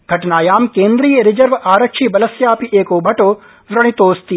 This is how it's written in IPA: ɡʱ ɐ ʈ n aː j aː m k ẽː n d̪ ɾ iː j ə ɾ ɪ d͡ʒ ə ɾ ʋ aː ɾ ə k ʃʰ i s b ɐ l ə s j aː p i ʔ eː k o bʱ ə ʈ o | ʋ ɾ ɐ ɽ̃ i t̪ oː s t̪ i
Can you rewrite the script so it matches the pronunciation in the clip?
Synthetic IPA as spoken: ɡʱ ɐ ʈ n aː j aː m k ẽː n d̪ ɾ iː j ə ɾ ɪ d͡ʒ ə ɾ ʋ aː ɾ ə k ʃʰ i b ɐ l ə s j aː p i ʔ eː k o bʱ ɐ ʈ o | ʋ ɾ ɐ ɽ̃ i t̪ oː s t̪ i